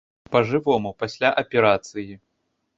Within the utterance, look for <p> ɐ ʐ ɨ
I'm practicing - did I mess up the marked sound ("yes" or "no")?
no